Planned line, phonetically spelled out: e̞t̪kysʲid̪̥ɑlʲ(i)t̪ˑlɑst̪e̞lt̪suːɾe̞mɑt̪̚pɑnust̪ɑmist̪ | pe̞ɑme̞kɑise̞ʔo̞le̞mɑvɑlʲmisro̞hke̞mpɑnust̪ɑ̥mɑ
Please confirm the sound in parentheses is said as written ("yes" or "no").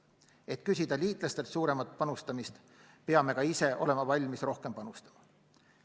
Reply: no